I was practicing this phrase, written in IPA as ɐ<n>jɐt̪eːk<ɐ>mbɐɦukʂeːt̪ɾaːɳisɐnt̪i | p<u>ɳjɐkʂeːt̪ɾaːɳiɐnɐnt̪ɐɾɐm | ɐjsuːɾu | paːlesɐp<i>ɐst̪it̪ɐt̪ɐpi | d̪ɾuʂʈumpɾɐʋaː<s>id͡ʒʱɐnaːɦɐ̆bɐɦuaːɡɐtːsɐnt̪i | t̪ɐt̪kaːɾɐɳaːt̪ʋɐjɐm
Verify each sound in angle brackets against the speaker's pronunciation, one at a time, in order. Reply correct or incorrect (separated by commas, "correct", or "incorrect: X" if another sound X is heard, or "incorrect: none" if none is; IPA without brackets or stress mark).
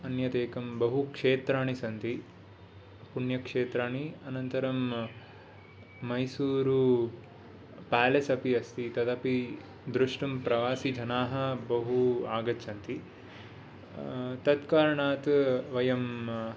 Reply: correct, correct, correct, correct, correct